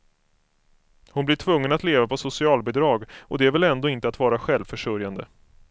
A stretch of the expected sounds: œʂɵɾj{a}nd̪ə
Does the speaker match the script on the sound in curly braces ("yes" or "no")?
yes